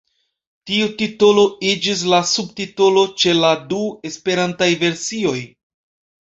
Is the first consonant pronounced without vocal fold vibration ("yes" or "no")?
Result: yes